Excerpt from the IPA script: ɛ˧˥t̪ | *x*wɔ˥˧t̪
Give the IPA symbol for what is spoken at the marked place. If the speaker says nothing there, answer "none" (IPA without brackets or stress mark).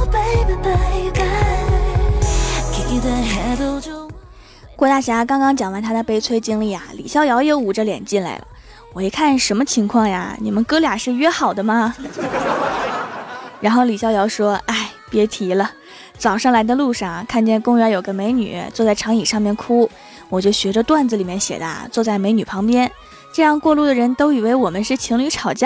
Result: k